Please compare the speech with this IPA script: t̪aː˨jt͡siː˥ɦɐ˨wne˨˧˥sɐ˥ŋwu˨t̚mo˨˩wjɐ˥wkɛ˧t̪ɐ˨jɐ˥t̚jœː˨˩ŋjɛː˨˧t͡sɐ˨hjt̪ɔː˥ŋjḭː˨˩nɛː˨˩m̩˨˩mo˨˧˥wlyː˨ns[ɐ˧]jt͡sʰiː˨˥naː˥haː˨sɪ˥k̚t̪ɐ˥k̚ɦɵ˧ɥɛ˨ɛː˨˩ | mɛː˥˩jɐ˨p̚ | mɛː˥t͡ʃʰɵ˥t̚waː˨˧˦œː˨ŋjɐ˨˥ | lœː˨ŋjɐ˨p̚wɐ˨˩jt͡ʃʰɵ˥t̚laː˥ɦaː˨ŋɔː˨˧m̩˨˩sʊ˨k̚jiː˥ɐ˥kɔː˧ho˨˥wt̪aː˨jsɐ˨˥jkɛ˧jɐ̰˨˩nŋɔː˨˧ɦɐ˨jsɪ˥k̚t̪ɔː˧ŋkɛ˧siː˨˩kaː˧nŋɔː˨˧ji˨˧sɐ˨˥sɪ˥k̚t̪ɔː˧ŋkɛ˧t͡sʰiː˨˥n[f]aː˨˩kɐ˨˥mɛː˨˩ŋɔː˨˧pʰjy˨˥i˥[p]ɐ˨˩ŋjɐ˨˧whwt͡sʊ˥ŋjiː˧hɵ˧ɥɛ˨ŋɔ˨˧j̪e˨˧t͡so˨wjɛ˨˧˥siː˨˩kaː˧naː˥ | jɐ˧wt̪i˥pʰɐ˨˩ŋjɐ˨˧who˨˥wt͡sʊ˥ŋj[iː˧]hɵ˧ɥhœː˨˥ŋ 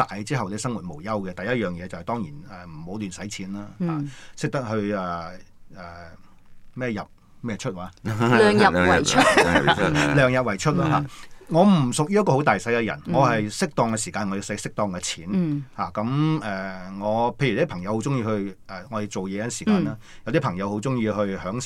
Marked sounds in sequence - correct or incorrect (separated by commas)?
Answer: incorrect, incorrect, incorrect, correct